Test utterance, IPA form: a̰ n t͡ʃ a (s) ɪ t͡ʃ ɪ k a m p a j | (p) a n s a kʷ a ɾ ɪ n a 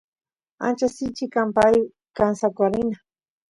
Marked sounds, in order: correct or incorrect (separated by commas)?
correct, incorrect